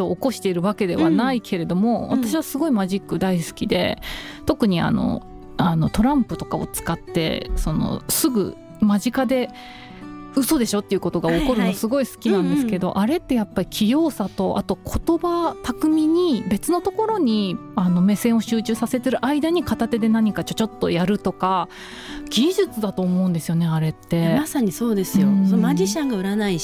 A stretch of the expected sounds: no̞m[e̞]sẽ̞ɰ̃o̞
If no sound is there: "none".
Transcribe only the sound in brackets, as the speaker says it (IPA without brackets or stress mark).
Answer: e̞